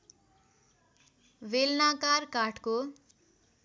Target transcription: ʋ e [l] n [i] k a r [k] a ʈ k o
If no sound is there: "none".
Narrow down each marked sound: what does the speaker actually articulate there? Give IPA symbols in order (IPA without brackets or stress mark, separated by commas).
l, a, k